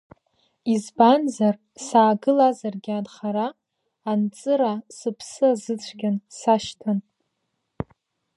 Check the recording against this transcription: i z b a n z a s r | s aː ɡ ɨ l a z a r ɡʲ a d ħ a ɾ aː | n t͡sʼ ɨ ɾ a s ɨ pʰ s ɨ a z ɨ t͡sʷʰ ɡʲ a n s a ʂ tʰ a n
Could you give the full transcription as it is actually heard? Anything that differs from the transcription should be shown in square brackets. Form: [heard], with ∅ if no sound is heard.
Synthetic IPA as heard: i z b a n z a [∅] r | s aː ɡ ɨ l a z a r ɡʲ a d [χ] a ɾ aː | n t͡sʼ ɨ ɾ a s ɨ pʰ s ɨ a z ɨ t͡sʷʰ ɡʲ a n s a [ʃ] tʰ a n